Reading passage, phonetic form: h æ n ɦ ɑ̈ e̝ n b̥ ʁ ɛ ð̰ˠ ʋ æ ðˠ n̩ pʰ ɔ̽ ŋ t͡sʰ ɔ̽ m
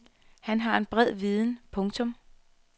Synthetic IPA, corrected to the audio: h æ n ɦ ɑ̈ e̝ n b̥ ʁ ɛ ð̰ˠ ʋ i ðˠ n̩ pʰ ɔ̽ ŋ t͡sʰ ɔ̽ m